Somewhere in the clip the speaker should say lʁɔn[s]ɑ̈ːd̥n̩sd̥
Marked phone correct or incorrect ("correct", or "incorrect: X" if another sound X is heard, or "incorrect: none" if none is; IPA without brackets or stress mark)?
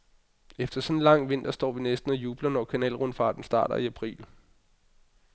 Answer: incorrect: f